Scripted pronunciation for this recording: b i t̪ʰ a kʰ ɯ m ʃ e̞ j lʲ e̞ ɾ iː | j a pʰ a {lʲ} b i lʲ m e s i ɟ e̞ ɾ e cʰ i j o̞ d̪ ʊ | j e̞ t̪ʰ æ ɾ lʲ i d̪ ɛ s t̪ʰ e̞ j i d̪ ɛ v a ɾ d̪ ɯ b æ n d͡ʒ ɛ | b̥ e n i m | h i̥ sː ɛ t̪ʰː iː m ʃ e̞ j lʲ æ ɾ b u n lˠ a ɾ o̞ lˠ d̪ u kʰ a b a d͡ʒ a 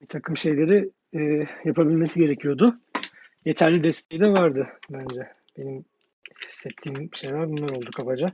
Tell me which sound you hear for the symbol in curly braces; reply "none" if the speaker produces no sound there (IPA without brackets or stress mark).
none